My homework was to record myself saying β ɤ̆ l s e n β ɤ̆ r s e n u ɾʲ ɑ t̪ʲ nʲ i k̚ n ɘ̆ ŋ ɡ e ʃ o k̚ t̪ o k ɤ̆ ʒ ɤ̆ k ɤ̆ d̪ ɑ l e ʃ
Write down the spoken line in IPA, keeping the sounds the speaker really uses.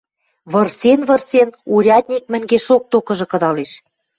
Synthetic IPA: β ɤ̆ r s e n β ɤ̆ r s e n u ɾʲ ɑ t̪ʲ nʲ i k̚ m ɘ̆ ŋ ɡ e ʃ o k̚ t̪ o k ɤ̆ ʒ ɤ̆ k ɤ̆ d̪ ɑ l e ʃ